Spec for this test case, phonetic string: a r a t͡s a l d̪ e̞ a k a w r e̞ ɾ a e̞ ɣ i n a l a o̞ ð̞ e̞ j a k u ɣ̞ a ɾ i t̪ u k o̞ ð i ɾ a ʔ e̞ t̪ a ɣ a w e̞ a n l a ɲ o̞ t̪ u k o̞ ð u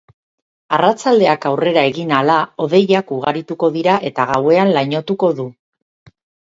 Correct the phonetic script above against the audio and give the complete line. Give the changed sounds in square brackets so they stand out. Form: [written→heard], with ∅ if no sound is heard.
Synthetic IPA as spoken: a r a t͡s a l d̪ e̞ a k a w r e̞ ɾ a e̞ ɣ i n a l a o̞ ð̞ e̞ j a k u ɣ̞ a ɾ i t̪ u k o̞ ð i ɾ a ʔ e̞ t̪ a ɣ a w e̞ a n l a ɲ o̞ t̪ u k o̞ ð u